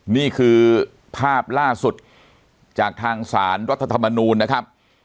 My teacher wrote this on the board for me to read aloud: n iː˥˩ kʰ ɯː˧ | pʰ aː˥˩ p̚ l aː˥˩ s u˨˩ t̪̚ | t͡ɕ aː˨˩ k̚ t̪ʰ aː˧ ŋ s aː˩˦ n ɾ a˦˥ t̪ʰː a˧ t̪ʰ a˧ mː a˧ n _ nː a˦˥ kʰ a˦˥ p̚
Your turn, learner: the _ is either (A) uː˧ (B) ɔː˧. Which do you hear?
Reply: A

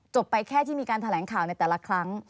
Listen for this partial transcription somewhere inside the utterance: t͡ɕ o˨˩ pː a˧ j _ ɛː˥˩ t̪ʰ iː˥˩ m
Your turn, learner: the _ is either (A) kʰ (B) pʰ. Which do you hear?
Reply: A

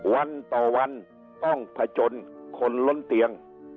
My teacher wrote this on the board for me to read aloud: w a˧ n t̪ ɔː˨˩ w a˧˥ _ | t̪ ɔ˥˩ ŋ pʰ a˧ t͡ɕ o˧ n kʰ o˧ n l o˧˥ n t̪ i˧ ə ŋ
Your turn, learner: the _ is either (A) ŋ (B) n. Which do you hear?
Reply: B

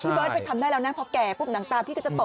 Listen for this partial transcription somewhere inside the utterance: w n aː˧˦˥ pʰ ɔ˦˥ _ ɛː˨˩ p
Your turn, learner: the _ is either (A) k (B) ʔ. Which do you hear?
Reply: A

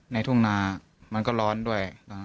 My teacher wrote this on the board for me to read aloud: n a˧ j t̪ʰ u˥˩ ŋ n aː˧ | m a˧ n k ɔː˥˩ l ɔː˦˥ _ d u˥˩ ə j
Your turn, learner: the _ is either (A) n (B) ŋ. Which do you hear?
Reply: A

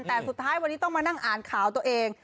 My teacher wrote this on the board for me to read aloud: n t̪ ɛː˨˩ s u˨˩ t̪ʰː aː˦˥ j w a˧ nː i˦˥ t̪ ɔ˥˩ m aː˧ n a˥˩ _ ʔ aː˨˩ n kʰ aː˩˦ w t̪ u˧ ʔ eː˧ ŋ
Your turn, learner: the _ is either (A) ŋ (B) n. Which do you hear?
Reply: A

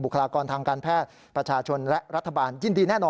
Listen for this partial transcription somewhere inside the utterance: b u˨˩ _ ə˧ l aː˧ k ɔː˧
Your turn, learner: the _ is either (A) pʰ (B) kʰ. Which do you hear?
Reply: B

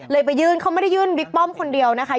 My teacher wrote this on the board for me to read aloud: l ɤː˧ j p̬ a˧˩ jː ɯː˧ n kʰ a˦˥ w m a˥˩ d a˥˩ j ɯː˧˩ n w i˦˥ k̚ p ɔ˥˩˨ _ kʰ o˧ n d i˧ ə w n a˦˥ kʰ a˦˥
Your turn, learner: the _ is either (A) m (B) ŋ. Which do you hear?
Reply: A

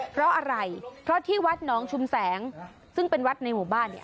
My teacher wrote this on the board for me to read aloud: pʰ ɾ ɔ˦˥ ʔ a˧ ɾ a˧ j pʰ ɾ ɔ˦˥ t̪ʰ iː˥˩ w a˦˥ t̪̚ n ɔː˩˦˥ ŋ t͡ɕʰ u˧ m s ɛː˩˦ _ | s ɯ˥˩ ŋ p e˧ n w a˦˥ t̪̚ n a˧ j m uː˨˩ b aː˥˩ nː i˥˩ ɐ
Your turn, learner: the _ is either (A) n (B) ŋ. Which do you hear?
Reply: B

